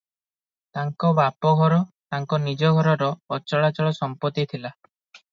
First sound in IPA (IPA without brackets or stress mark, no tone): t̪